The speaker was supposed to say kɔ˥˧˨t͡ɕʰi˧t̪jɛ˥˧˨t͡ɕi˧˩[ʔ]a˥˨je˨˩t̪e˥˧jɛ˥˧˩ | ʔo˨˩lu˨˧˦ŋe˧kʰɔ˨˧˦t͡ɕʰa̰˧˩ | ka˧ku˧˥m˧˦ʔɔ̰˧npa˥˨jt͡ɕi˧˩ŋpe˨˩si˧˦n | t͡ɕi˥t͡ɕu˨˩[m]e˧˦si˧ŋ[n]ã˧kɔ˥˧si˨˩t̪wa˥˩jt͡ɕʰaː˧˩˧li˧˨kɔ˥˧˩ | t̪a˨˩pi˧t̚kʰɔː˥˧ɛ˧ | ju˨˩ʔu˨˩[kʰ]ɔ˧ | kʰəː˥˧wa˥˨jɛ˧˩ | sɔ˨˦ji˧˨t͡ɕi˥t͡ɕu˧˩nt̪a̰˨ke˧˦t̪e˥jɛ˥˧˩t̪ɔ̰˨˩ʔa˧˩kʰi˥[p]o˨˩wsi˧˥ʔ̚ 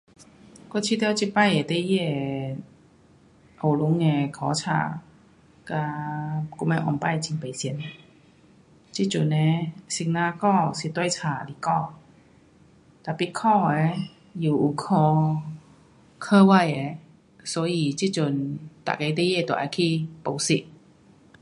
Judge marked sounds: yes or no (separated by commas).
no, no, yes, yes, yes